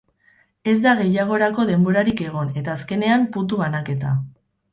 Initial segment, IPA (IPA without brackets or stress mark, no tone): e̞